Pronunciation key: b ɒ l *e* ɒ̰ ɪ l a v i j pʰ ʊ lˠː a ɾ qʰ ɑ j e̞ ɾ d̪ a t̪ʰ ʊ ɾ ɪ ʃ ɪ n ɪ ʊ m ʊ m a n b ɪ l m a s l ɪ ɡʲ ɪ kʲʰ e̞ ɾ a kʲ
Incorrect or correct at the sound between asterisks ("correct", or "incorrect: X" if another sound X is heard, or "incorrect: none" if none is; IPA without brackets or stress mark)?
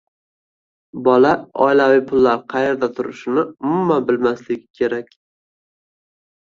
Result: incorrect: a